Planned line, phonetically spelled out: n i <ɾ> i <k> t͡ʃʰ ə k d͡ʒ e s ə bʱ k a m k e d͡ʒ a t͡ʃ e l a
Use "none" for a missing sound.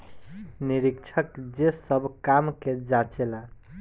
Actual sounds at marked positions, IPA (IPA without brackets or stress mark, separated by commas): ɾ, k